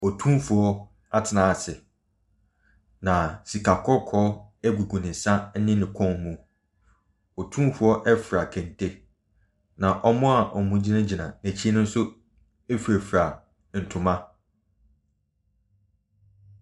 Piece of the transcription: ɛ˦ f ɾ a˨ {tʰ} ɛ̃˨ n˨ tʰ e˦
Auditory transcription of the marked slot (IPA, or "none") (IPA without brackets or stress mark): kʰ